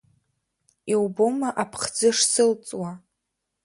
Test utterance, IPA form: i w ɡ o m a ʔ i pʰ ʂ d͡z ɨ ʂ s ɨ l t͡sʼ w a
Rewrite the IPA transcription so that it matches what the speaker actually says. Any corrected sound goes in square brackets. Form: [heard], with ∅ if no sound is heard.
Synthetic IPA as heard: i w [b] o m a ʔ [a] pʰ [χ] d͡z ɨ ʂ s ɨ l t͡sʼ w a

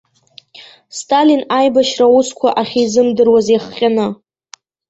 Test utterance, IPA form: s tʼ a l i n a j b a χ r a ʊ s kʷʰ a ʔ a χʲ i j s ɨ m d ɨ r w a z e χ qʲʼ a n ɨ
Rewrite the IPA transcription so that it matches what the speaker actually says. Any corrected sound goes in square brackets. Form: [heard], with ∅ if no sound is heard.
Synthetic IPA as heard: s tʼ a l i n a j b a [ʃ] r a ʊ s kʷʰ a ʔ a χʲ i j [z] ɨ m d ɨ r w a z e χ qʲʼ a n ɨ

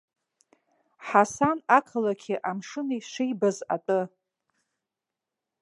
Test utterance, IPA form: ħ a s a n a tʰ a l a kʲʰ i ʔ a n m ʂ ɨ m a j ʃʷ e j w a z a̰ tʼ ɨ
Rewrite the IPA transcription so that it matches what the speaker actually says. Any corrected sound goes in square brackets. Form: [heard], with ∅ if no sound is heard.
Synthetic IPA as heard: ħ a s a n a [kʰ] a l a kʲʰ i ʔ a [∅] m ʂ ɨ [n] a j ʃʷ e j [b] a z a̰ tʼ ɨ

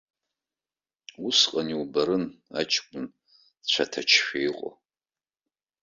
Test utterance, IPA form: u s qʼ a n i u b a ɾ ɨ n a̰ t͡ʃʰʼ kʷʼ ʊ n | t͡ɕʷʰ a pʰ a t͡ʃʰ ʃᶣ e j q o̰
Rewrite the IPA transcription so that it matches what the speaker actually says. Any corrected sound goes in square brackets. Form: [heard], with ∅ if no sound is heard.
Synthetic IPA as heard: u s qʼ a n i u b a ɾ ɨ n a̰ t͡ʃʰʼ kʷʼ ʊ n | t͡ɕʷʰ a [tʰ] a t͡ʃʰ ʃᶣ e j [qʼ] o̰

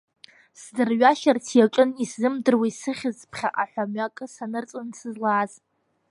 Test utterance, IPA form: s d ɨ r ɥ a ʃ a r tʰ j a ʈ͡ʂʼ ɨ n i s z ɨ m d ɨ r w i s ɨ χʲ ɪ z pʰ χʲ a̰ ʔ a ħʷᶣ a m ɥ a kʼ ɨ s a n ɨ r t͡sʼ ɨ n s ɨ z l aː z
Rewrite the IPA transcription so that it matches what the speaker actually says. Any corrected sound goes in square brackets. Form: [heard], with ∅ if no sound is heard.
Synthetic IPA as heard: s d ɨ r ɥ a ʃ a r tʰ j a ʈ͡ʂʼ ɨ n i s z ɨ m d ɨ r w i s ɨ χʲ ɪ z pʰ χʲ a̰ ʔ a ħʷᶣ a m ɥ a kʼ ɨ s a n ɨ r t͡sʼ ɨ n s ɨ z l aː z

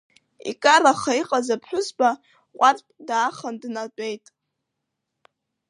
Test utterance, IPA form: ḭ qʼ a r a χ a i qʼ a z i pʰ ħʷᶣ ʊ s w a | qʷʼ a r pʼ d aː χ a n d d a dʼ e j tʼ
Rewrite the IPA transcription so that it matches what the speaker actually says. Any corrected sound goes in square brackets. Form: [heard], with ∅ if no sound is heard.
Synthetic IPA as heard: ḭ [kʼ] a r a χ a i qʼ a z [a] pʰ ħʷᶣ ʊ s [b] a | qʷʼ a r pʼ d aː χ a n d [n] a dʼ e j tʼ

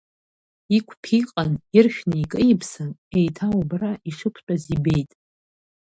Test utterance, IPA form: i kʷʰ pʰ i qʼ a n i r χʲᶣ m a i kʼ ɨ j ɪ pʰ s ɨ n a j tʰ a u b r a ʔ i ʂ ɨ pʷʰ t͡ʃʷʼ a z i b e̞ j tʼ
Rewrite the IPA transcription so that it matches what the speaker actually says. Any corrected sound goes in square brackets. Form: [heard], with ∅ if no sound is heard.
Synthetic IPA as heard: i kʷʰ pʰ i qʼ a n i r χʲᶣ [n] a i kʼ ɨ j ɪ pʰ s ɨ n [e] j tʰ a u b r a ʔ i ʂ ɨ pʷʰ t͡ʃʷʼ a z i b e̞ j tʼ

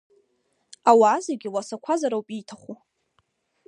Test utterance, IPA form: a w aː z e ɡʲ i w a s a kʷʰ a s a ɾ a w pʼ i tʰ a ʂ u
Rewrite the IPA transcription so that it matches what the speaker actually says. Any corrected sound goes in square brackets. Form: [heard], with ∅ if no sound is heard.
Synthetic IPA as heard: a w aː z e ɡʲ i w a s a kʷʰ a [z] a ɾ a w pʼ i tʰ a [χ] u

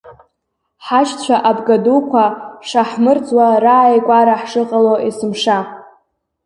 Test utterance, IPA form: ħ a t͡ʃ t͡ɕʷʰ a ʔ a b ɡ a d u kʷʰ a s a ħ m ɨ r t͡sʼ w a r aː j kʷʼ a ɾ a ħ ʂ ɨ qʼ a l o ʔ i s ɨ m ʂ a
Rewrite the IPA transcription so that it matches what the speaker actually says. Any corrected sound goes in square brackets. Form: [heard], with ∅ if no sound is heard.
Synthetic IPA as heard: ħ a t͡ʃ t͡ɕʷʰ a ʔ a b ɡ a d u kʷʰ a [ʂ] a ħ m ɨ r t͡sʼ w a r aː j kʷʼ a ɾ a ħ ʂ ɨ qʼ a l o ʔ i s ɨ m ʂ a

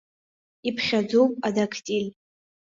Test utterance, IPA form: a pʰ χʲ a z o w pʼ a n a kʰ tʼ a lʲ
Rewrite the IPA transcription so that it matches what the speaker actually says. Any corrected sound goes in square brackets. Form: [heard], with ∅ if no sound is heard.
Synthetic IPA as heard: [i] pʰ χʲ a [d͡z] o w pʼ a [d] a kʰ tʼ [i] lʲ

